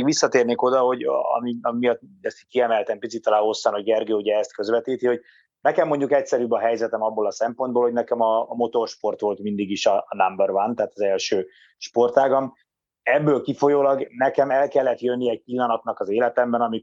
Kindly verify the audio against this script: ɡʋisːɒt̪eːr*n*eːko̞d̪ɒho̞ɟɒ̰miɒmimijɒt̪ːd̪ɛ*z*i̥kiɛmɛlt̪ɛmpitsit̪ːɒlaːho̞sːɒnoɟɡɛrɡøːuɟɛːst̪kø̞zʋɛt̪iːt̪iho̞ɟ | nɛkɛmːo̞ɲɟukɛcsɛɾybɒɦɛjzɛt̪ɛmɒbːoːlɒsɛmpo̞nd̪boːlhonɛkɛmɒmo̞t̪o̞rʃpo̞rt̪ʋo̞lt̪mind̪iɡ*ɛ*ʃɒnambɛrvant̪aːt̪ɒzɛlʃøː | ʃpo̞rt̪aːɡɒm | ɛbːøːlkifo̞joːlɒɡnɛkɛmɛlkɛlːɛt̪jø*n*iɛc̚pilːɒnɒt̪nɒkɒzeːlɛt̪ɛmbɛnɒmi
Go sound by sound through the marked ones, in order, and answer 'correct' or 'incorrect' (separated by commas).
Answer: correct, incorrect, incorrect, incorrect